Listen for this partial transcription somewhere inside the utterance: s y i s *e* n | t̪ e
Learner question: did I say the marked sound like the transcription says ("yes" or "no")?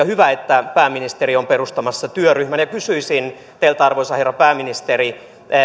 no